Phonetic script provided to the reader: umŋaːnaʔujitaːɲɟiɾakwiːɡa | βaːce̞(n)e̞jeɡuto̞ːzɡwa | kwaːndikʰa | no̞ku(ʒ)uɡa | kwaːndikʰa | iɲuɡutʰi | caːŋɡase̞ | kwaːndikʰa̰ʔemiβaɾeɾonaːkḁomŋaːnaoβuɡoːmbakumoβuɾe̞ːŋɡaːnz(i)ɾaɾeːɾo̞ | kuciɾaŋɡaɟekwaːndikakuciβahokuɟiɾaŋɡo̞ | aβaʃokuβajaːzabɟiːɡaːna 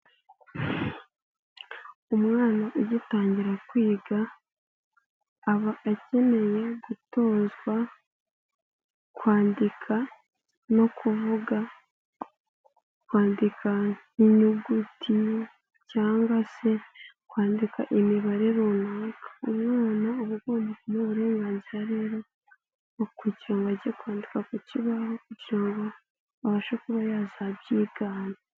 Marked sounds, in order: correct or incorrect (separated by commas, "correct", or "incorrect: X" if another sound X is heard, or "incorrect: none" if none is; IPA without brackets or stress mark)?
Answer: incorrect: m, incorrect: v, correct